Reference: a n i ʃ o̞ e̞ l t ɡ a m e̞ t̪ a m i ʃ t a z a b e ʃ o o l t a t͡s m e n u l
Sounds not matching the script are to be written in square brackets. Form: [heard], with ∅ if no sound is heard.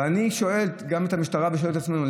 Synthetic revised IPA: a n i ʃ o̞ e̞ l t ɡ a m e̞ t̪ a m i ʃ t a [ʁ] a b e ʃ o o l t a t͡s m e n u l